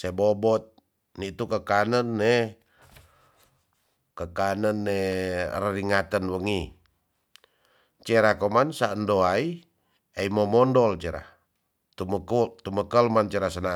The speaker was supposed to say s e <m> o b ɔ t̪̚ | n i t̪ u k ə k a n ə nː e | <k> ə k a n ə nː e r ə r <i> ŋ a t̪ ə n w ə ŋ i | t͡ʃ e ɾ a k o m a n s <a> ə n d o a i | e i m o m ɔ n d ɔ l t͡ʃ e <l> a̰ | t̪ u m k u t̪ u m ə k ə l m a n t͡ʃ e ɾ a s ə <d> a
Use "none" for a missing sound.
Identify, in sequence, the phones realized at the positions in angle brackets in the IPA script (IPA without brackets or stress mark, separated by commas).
b, k, i, a, ɾ, n